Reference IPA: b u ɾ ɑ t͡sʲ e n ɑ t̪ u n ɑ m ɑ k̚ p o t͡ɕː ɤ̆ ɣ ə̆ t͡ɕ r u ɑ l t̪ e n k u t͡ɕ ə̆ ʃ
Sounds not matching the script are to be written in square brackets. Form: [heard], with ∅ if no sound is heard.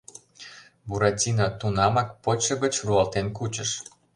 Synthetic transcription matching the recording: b u ɾ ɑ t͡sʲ [i] n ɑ t̪ u n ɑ m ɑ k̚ p o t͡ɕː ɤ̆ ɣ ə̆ t͡ɕ r u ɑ l t̪ e n k u t͡ɕ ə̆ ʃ